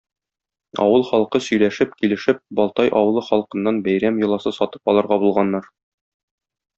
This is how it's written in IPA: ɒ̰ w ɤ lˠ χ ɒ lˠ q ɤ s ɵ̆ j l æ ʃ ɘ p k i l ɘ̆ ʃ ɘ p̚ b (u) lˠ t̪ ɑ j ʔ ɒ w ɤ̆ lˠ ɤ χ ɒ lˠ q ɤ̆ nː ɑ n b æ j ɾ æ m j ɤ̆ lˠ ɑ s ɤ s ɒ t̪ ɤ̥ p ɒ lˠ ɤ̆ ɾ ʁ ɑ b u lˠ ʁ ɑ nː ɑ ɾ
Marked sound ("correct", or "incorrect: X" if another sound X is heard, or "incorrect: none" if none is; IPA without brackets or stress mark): incorrect: ɒ